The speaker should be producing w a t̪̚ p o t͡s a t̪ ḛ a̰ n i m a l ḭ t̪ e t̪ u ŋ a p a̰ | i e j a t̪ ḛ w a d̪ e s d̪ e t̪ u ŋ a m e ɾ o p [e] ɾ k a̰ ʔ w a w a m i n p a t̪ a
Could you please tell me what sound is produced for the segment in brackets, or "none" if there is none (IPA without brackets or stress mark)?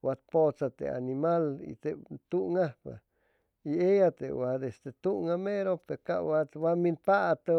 e